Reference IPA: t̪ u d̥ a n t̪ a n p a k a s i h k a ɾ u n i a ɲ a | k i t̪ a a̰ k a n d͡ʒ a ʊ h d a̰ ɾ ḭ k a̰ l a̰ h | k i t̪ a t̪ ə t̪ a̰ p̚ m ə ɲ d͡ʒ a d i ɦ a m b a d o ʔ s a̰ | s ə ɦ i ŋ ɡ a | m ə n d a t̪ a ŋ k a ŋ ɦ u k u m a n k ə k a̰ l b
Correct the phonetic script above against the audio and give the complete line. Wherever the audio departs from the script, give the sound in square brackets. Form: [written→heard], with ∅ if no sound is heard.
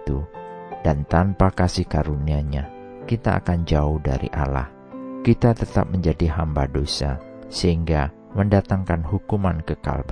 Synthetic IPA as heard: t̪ u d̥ a n t̪ a n p a k a s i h k a ɾ u n i a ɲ a | k i t̪ a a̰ k a n d͡ʒ a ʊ h d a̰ ɾ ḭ [k→ʔ] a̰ l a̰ h | k i t̪ a t̪ ə t̪ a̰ p̚ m ə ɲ d͡ʒ a d i ɦ a m b a d o [ʔ→∅] s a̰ | s ə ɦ i ŋ ɡ a | m ə n d a t̪ a ŋ k a [ŋ→n] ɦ u k u m a n k ə k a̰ l b